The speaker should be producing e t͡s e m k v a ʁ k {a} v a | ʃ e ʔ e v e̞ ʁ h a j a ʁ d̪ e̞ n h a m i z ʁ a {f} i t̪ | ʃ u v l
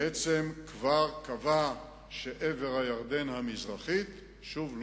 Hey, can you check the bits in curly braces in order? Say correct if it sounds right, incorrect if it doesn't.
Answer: correct, incorrect: χ

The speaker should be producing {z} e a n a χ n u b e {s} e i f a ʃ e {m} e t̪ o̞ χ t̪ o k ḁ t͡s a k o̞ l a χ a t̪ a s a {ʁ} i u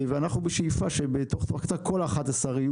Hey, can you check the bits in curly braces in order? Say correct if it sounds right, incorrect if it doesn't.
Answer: incorrect: v, incorrect: ʃ, incorrect: b, correct

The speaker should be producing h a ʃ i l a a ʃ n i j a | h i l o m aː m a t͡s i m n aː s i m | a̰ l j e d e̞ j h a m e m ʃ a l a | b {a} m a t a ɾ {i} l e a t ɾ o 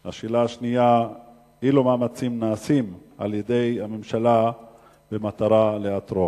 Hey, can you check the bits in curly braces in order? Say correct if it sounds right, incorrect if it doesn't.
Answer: incorrect: e, incorrect: a

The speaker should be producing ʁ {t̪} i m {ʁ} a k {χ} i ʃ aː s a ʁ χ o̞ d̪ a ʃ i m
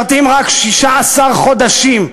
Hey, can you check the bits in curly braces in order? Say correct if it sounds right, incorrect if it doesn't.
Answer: correct, correct, incorrect: ʃ

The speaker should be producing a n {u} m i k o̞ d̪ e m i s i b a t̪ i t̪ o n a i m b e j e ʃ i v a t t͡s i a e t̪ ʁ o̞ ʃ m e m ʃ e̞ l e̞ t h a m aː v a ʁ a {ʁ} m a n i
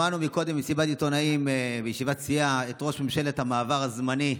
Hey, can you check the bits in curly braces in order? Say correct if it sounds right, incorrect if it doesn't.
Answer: correct, incorrect: z

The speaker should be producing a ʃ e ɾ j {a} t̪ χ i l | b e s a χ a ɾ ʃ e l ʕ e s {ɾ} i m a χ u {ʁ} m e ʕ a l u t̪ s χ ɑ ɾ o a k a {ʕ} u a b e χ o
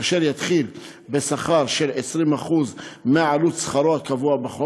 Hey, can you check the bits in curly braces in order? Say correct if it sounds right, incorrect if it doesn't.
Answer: correct, correct, incorrect: z, incorrect: v

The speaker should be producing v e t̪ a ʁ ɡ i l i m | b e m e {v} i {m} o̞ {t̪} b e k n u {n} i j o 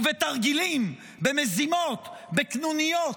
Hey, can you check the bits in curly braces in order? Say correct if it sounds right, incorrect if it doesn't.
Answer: incorrect: z, correct, correct, correct

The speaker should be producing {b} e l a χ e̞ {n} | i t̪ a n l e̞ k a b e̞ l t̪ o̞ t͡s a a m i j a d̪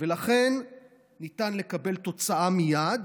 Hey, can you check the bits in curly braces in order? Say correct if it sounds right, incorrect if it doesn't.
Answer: incorrect: v, incorrect: nː

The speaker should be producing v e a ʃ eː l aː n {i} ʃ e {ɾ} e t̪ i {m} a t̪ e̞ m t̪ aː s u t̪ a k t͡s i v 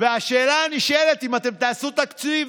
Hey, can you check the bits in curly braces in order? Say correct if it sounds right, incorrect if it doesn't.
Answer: correct, incorrect: l, correct

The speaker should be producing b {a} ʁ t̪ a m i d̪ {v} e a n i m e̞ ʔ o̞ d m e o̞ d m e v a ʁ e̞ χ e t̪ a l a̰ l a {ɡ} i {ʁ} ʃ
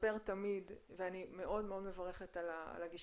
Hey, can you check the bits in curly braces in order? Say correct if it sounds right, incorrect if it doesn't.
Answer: incorrect: e, correct, correct, incorrect: none

